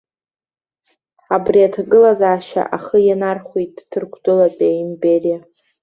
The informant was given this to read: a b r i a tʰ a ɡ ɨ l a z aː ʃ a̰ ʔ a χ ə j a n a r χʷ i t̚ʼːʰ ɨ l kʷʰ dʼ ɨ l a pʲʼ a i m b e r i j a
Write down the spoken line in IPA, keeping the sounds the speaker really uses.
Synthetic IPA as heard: a b r i a tʰ a ɡ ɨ l a z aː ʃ a̰ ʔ a χ ə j a n a r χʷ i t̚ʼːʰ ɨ r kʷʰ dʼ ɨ l a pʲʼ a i m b e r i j a